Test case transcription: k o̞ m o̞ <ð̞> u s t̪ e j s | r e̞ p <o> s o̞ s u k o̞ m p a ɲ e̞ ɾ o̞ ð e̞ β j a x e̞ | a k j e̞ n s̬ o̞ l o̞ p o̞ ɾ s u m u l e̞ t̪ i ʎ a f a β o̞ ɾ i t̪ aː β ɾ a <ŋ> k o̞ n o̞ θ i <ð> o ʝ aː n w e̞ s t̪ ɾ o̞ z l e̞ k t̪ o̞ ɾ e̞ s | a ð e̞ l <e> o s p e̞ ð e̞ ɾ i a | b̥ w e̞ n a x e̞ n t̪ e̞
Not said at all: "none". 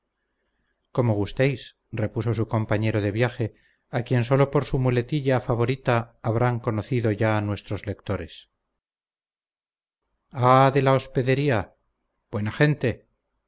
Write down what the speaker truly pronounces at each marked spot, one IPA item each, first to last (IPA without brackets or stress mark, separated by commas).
ɣ̞, u, ŋ, ð, a